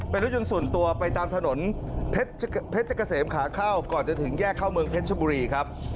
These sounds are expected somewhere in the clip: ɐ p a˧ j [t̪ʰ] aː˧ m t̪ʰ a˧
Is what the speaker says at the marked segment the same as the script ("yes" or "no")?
no